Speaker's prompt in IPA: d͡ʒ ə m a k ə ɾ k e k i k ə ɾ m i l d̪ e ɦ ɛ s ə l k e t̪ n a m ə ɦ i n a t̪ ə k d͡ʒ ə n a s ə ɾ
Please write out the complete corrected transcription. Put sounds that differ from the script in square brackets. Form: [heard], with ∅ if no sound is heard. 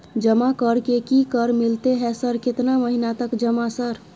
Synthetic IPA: d͡ʒ ə m a k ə ɾ k e k i k ə ɾ m i l [t̪] e ɦ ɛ s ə [ɾ] k e t̪ n a m ə ɦ i n a t̪ ə k d͡ʒ ə [m] a s ə ɾ